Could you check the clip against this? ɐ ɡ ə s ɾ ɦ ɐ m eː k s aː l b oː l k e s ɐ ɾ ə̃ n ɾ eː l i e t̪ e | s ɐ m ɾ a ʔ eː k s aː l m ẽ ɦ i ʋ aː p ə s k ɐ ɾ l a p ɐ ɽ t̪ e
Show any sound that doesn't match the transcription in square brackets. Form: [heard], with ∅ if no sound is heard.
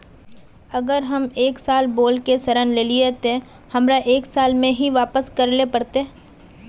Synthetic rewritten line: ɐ ɡ ə [∅] ɾ ɦ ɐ m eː k s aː l b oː l k e s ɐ ɾ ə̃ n [l] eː l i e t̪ e | [h] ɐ m ɾ a ʔ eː k s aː l m ẽ ɦ i ʋ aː p ə s k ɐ ɾ l [e] p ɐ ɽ t̪ e